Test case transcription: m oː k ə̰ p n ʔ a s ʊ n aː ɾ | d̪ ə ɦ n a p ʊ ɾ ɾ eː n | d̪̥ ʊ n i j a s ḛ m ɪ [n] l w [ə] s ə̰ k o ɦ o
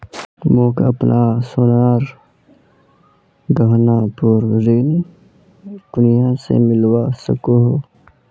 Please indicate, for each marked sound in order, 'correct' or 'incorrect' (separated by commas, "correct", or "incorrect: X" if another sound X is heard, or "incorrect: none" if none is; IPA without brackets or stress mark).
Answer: incorrect: none, incorrect: a